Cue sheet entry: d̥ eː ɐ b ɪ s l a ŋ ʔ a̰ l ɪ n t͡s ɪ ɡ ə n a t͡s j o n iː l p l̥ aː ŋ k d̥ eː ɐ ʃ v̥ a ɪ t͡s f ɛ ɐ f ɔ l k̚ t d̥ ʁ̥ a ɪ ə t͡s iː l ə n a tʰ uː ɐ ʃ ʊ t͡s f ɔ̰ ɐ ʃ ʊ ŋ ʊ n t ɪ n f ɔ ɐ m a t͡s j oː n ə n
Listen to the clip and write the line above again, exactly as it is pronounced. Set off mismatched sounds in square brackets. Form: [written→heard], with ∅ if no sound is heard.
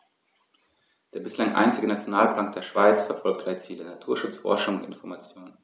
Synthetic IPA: d̥ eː ɐ b ɪ s l a ŋ ʔ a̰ [l→∅] ɪ n t͡s ɪ ɡ ə n a t͡s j o n [iː→aː] l p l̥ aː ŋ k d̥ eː ɐ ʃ v̥ a ɪ t͡s f ɛ ɐ f ɔ l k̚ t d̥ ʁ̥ a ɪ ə t͡s iː l ə n a tʰ uː ɐ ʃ ʊ t͡s f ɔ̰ ɐ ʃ ʊ ŋ ʊ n t ɪ n f ɔ ɐ m a t͡s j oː n ə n